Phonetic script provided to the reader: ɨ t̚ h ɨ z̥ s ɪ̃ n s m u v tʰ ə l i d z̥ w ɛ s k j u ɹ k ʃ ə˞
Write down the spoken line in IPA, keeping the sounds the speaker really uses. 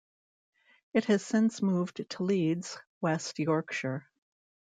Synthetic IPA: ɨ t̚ h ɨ z̥ s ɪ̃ n s m u v tʰ ə l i d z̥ w ɛ s t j ɔ ɹ k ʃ ə˞